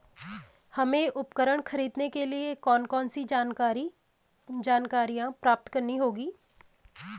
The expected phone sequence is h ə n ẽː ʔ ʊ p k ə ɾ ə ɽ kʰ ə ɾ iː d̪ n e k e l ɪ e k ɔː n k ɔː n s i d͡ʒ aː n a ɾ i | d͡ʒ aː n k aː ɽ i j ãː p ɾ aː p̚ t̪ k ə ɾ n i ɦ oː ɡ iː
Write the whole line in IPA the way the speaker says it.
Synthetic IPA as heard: h ə m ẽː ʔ ʊ p k ə ɾ ə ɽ kʰ ə ɾ iː d̪ n e k e l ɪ e k ɔː n k ɔː n s i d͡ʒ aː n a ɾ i | d͡ʒ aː n k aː ɾ i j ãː p ɾ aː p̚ t̪ k ə ɾ n i ɦ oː ɡ iː